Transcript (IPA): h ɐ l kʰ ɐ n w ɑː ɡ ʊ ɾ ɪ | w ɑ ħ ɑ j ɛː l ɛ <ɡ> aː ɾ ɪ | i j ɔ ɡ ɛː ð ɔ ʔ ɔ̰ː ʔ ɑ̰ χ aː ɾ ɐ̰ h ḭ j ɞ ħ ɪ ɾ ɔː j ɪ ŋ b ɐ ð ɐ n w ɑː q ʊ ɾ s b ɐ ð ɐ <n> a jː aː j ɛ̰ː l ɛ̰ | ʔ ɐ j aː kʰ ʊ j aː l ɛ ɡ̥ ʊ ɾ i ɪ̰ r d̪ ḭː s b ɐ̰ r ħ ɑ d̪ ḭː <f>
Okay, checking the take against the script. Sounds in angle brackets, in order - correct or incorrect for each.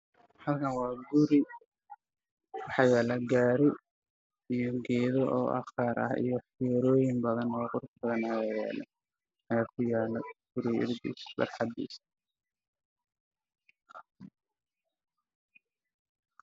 correct, correct, incorrect: s

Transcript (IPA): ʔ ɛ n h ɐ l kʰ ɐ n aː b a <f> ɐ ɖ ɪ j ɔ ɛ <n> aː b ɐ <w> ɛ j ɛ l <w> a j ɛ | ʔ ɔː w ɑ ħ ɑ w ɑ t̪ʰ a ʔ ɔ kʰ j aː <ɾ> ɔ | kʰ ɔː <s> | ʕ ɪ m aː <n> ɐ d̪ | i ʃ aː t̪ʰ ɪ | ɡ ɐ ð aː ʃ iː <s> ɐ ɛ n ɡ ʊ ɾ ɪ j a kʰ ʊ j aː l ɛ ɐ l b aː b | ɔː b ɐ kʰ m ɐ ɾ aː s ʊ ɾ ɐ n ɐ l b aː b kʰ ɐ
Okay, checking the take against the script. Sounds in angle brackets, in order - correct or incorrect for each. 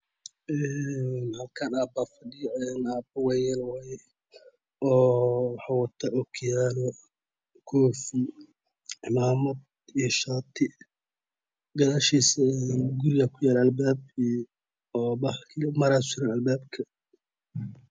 correct, correct, correct, correct, incorrect: l, incorrect: f, incorrect: m, correct

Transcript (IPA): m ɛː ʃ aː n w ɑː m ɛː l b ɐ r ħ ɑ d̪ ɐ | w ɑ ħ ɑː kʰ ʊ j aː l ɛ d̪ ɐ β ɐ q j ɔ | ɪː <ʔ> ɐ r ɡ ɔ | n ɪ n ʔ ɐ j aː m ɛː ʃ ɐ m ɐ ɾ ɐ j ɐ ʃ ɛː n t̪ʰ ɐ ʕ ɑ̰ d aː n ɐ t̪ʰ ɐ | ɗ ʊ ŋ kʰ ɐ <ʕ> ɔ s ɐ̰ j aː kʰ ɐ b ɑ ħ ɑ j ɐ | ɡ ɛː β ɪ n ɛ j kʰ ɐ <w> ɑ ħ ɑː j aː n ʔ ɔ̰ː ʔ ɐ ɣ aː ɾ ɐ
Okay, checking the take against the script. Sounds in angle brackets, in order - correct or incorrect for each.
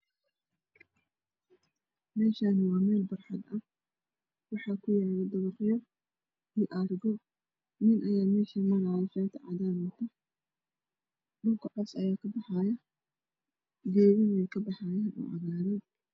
correct, correct, incorrect: b

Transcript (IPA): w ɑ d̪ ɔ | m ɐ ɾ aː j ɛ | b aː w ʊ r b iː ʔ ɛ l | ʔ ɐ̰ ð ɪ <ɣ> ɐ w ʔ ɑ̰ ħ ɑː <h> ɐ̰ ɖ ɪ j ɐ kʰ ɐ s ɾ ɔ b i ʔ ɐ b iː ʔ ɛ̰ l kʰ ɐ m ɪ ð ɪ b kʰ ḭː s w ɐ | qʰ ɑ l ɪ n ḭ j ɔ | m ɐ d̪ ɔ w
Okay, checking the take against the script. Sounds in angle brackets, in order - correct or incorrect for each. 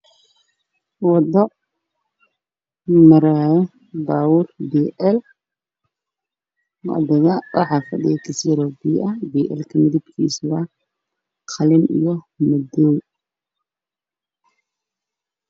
correct, incorrect: f

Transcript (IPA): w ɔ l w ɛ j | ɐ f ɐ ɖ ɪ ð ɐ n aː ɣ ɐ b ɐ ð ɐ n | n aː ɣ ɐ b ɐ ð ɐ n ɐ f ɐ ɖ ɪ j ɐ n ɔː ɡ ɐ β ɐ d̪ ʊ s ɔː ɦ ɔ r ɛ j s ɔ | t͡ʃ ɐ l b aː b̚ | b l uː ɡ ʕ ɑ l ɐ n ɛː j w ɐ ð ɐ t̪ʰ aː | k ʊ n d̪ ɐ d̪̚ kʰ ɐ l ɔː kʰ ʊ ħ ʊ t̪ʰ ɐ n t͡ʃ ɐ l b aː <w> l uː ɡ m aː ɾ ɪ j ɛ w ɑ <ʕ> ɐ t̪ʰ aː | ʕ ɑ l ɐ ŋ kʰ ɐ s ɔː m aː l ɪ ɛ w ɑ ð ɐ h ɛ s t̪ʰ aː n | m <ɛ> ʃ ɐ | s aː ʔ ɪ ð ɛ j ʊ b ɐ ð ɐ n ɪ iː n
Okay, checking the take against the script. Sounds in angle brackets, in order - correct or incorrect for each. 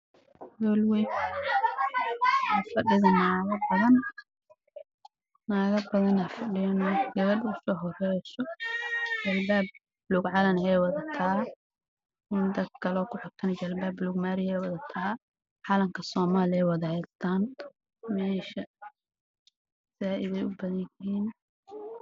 incorrect: b, incorrect: ð, incorrect: ɛː

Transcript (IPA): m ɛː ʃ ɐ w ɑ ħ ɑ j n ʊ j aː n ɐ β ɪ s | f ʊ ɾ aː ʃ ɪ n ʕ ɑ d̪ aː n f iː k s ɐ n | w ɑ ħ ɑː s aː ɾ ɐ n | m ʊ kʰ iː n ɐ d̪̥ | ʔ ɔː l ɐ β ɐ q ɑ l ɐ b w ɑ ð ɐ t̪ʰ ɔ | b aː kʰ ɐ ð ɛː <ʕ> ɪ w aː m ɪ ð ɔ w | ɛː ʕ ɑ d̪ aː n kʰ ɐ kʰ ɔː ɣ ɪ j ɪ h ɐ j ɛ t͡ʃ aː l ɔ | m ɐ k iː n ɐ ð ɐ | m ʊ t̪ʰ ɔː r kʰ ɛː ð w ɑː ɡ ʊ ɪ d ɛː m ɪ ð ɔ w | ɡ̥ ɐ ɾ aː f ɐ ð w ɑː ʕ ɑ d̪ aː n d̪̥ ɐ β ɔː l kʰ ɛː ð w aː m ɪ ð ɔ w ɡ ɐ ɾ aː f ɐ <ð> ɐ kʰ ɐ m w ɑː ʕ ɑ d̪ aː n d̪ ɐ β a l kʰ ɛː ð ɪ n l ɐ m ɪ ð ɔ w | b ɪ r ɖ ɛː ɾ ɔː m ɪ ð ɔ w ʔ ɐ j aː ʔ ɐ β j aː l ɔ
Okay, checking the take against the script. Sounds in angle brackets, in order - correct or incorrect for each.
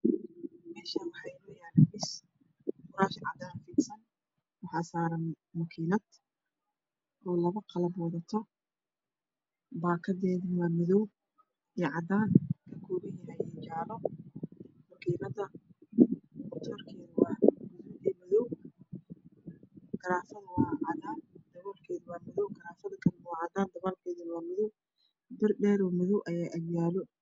incorrect: ð, correct

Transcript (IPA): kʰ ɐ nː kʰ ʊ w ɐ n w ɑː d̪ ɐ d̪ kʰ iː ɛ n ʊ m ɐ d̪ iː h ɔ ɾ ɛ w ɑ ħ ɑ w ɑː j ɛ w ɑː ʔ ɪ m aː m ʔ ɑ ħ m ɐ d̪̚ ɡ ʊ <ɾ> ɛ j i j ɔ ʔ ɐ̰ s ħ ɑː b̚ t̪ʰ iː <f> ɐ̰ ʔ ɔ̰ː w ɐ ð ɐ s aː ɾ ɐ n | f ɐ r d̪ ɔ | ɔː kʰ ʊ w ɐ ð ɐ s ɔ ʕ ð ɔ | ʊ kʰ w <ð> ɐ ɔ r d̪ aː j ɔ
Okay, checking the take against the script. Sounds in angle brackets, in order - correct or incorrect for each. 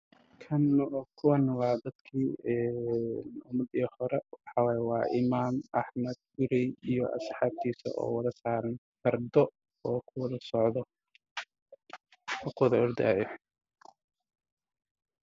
correct, incorrect: s, correct

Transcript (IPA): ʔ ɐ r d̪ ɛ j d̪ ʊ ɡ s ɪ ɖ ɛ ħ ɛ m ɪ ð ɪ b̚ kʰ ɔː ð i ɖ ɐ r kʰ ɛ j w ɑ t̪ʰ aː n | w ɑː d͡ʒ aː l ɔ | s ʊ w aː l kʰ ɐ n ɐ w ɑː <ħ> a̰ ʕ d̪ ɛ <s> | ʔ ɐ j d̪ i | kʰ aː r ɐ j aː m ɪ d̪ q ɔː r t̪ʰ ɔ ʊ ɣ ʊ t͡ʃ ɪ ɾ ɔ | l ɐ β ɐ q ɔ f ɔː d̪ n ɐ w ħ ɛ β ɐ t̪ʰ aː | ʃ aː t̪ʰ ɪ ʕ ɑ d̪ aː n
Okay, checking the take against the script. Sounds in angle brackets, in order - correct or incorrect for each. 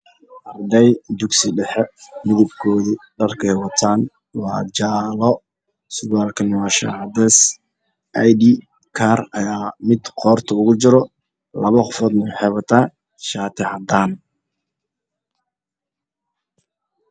incorrect: ʃ, correct

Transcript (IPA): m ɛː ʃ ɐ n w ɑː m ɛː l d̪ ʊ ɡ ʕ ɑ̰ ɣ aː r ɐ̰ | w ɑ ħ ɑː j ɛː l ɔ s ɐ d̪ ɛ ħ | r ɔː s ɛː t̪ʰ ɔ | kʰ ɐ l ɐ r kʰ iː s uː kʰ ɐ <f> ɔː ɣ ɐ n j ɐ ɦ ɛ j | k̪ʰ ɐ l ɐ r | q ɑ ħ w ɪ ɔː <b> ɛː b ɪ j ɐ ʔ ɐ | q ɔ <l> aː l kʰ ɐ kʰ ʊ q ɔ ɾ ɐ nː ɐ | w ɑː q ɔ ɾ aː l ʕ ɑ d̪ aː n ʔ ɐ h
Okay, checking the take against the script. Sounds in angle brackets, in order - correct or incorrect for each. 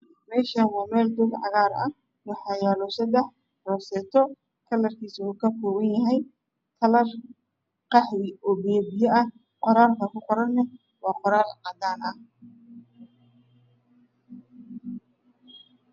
correct, correct, incorrect: ɾ

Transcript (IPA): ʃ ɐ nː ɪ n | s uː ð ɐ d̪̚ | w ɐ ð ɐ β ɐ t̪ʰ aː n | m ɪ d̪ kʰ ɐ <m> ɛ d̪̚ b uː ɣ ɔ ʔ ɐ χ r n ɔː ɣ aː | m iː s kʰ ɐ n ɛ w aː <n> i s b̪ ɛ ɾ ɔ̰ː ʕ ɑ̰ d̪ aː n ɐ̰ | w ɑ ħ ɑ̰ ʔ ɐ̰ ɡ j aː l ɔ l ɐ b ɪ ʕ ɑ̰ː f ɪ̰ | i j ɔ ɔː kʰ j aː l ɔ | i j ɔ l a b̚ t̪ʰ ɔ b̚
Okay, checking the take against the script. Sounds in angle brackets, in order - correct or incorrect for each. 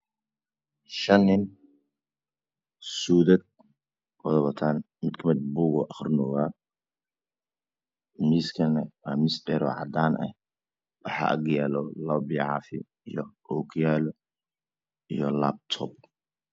correct, incorrect: m

